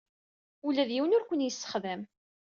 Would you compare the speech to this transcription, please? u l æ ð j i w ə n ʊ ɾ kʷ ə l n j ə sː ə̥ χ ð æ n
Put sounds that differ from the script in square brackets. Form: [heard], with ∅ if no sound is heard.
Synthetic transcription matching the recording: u l æ ð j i w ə n ʊ ɾ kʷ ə [∅] n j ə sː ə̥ χ ð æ [m]